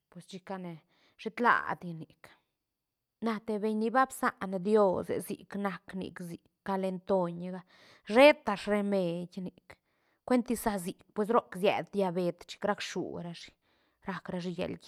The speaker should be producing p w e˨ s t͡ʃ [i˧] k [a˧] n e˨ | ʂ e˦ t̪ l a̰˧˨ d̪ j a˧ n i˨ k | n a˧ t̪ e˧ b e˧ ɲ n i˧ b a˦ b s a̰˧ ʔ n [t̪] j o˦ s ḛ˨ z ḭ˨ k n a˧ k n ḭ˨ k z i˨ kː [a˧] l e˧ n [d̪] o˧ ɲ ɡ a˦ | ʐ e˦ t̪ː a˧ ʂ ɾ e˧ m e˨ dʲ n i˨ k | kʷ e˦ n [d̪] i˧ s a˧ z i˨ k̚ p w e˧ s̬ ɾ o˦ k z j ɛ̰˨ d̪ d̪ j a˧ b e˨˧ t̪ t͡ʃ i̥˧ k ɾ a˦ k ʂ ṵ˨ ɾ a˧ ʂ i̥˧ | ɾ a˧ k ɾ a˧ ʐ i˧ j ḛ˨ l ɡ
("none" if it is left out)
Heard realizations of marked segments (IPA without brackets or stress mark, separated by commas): i˧, a˧, d̪, a˧, t̪, t̪